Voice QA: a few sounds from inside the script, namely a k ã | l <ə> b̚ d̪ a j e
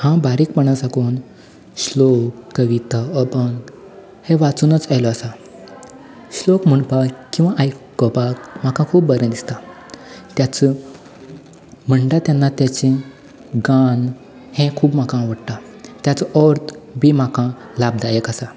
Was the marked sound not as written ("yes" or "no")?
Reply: yes